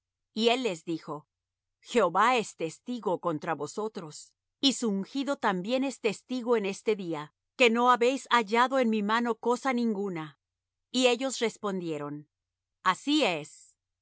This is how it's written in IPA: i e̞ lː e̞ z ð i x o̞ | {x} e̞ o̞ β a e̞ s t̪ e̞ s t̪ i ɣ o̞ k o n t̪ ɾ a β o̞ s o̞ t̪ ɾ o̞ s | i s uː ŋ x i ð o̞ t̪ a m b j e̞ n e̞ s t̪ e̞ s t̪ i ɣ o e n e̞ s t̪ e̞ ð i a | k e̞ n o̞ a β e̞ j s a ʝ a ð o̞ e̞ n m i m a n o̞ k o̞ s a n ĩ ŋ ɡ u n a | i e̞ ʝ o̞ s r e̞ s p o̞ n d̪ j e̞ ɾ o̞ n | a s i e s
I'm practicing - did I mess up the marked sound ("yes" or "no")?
no